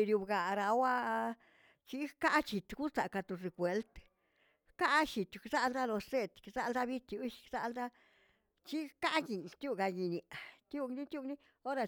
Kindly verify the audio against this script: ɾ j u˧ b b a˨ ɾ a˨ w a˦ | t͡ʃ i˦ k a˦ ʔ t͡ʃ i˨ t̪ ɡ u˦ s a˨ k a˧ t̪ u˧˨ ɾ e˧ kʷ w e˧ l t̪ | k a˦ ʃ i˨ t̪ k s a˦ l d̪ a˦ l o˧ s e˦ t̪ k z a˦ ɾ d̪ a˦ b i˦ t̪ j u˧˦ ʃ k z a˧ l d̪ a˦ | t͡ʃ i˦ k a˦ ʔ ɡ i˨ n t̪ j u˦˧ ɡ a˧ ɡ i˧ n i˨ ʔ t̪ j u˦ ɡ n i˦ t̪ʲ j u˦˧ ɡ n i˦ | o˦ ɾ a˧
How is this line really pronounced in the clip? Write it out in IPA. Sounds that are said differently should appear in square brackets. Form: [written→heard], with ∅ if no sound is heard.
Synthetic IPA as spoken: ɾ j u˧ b [b→ɡ] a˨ ɾ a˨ w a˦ | t͡ʃ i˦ k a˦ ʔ t͡ʃ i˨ t̪ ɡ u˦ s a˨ k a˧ t̪ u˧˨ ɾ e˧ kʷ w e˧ l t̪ | k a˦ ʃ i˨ t̪ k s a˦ l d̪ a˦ l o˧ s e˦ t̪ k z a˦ [ɾ→l] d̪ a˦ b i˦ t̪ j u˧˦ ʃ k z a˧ l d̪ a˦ | t͡ʃ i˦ k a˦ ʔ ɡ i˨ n t̪ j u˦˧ ɡ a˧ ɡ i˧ n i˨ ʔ t̪ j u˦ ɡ n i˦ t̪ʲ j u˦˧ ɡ n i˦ | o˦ ɾ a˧